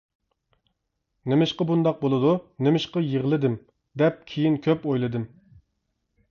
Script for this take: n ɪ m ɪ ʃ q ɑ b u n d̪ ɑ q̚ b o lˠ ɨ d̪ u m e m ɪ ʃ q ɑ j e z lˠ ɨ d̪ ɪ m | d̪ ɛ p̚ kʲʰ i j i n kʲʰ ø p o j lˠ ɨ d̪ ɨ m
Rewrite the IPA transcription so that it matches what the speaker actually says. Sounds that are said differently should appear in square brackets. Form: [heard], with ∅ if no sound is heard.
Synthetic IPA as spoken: n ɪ m ɪ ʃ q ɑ b u n d̪ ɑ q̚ b o lˠ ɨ d̪ u [n] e m ɪ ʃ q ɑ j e [ʁ] lˠ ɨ d̪ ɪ m | d̪ ɛ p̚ kʲʰ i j i n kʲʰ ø p o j lˠ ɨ d̪ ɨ m

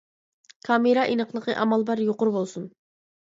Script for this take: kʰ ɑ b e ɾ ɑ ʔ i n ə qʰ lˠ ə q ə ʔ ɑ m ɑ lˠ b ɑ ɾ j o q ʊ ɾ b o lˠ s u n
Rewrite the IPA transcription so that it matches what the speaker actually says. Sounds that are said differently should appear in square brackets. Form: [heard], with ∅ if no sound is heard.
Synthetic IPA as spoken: kʰ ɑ [m] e ɾ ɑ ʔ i n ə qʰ lˠ ə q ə ʔ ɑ m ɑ lˠ b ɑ ɾ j o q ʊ ɾ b o lˠ s u n

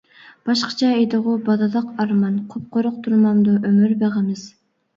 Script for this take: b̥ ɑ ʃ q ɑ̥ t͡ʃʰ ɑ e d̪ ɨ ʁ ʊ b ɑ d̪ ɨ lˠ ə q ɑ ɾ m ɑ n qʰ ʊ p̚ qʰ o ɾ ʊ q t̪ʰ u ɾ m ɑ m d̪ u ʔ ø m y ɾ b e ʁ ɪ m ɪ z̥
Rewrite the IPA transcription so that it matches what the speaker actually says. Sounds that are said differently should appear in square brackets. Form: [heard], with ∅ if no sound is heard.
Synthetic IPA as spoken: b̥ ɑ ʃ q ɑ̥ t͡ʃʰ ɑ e d̪ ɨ ʁ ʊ b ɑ d̪ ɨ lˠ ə q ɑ ɾ m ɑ n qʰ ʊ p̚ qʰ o ɾ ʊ q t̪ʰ u ɾ m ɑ m d̪ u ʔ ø m y ɾ b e ʁ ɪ m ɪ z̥

